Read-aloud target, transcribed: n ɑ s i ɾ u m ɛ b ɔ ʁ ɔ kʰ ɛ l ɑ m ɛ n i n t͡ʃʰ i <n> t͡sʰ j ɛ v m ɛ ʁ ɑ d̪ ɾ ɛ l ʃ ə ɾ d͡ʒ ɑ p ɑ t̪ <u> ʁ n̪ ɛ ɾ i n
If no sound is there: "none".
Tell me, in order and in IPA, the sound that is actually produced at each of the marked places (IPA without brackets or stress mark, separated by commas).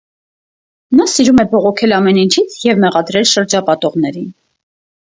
none, ɔ